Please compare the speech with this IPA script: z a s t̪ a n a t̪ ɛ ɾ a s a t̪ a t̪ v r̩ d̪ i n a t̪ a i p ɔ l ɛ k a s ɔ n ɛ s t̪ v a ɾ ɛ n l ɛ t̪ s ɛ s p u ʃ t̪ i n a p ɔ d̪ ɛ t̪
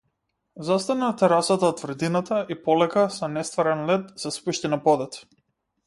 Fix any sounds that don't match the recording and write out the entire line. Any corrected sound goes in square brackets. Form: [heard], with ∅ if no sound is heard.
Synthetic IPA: z a s t̪ a n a t̪ ɛ ɾ a s a t̪ a t̪ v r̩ d̪ i n a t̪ a i p ɔ l ɛ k a s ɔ n ɛ s t̪ v a ɾ ɛ n l ɛ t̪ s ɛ s p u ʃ t̪ i n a p ɔ d̪ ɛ t̪